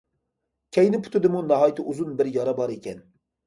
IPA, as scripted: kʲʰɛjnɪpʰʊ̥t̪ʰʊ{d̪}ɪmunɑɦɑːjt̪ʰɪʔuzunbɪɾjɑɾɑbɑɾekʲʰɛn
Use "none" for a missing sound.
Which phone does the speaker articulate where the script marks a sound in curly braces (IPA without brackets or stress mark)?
d̪